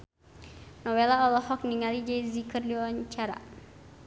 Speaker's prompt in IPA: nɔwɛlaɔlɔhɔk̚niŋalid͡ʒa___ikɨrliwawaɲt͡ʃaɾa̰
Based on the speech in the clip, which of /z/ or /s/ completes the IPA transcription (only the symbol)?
z